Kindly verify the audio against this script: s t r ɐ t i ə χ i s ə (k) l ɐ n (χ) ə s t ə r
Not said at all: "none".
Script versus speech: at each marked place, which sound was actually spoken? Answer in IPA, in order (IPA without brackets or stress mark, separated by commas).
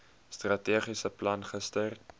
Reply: p, χ